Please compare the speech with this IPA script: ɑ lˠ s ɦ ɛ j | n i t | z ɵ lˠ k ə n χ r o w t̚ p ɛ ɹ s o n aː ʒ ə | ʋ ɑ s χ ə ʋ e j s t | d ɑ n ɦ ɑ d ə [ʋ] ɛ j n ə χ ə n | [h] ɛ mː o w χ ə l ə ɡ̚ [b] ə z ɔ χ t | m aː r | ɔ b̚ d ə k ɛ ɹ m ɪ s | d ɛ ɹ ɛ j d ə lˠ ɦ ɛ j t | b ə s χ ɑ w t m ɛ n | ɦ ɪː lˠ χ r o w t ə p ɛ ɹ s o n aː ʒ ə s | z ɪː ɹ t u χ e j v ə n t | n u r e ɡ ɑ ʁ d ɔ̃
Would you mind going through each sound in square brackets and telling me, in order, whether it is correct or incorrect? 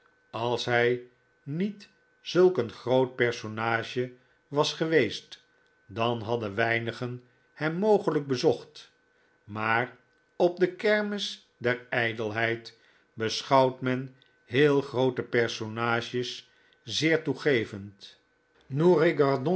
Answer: correct, correct, correct

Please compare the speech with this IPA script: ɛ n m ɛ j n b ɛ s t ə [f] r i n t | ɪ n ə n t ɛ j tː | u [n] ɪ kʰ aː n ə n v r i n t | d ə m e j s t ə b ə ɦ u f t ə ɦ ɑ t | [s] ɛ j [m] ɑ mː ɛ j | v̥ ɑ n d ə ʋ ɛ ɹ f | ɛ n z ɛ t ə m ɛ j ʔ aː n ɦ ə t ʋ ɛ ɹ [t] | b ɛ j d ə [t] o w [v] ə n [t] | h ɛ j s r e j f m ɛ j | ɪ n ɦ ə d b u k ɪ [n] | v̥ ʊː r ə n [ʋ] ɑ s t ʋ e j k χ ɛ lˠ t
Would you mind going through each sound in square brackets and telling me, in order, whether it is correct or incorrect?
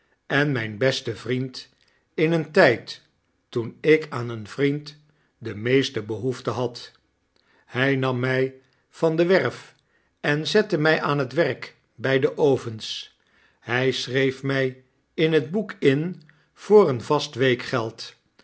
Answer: incorrect, correct, incorrect, incorrect, incorrect, incorrect, correct, incorrect, correct, incorrect

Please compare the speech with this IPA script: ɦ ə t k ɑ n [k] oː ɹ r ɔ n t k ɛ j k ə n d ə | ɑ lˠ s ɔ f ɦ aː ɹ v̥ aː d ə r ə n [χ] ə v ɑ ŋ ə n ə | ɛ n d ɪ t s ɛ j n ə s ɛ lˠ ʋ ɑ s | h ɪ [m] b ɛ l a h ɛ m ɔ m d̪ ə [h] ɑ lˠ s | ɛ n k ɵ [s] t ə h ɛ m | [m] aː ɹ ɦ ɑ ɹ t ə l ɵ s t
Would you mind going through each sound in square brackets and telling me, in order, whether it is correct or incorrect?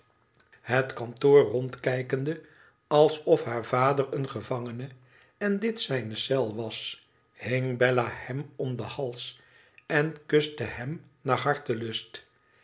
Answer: incorrect, correct, incorrect, correct, correct, incorrect

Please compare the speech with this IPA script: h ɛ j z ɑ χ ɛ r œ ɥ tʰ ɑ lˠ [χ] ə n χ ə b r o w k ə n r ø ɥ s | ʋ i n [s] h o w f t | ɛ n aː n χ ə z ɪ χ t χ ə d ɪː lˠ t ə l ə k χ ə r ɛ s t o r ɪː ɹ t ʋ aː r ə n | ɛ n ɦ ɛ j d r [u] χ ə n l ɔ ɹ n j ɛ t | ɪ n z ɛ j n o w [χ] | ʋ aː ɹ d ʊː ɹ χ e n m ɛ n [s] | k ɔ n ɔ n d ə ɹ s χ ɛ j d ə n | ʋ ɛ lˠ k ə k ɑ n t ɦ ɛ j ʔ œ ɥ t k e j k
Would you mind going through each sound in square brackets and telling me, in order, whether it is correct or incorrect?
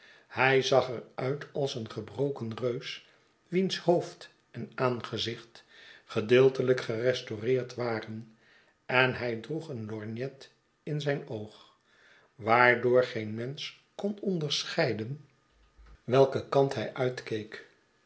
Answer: incorrect, correct, correct, correct, correct

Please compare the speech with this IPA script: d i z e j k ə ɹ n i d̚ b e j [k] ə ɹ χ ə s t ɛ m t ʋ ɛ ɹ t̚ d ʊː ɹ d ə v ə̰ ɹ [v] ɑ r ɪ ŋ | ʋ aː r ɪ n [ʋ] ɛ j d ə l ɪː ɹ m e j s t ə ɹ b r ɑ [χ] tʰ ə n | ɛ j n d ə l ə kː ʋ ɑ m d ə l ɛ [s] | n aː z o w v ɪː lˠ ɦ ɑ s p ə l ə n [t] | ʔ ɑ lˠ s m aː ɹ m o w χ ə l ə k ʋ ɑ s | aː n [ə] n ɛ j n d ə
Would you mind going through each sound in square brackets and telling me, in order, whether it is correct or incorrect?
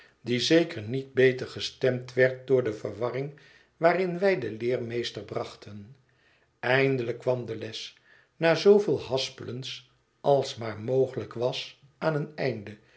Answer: incorrect, incorrect, correct, correct, correct, incorrect, correct

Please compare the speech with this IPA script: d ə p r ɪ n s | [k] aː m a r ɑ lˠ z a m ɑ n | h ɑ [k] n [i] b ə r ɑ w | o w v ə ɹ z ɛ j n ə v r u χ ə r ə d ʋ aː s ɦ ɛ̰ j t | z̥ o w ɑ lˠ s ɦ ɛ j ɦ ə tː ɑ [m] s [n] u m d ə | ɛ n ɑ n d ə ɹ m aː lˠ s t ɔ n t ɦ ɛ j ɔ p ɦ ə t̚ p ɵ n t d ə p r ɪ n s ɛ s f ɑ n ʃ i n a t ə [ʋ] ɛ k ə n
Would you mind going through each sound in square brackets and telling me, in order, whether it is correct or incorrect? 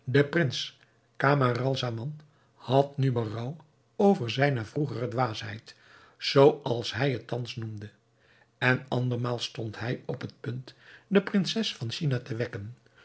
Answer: correct, incorrect, incorrect, incorrect, correct, correct

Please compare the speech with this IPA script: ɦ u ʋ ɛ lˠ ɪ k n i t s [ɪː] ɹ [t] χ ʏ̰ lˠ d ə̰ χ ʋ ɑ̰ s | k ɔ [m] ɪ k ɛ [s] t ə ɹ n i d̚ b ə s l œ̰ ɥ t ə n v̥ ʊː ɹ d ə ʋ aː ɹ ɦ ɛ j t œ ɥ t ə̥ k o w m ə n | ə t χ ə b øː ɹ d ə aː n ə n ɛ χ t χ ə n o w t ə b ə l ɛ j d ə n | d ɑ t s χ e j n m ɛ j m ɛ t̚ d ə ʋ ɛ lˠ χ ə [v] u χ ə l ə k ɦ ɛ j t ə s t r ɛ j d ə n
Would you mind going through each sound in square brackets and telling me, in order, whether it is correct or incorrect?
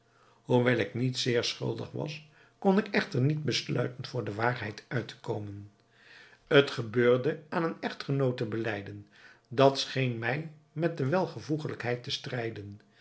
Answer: correct, incorrect, incorrect, incorrect, correct

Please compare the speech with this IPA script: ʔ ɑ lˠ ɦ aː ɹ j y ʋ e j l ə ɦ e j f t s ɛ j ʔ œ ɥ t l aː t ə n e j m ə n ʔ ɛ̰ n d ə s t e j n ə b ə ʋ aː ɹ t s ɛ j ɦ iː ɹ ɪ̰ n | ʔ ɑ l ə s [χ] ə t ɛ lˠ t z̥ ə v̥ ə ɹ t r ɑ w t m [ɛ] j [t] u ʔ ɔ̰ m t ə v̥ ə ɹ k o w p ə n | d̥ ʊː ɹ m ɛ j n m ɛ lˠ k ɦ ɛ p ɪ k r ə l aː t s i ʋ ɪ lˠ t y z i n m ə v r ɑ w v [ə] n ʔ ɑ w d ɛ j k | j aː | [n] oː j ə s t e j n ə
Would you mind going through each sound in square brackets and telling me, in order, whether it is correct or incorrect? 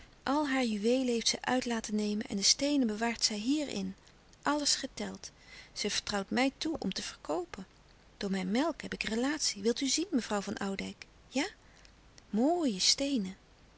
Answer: correct, correct, correct, incorrect, incorrect

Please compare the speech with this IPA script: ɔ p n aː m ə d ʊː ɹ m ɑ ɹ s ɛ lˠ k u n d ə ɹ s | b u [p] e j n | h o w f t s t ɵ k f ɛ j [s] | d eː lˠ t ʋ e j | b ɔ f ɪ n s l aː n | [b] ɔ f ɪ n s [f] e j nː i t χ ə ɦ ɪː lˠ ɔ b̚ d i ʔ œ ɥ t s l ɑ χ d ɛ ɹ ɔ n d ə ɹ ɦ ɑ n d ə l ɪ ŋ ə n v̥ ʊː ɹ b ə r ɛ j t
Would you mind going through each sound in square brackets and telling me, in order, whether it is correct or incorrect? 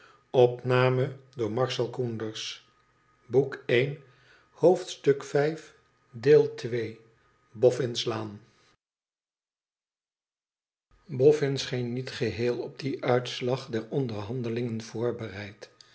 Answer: incorrect, incorrect, correct, incorrect

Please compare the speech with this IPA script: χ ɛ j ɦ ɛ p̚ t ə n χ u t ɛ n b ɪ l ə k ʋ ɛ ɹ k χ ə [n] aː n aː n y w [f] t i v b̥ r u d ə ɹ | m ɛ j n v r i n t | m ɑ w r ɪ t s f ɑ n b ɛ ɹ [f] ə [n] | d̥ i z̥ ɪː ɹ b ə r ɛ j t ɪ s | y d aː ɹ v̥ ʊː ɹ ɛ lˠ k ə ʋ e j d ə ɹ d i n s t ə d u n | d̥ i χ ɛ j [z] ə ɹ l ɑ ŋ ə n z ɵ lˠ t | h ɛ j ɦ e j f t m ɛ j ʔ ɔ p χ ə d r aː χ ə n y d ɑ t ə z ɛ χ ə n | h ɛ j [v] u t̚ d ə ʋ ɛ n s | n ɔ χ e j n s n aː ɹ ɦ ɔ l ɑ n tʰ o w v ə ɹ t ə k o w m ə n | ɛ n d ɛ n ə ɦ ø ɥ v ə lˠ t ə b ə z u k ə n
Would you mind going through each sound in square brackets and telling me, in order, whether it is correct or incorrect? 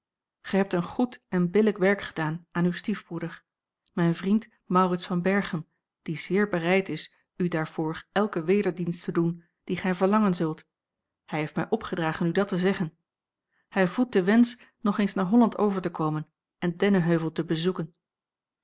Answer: incorrect, incorrect, incorrect, incorrect, incorrect, correct

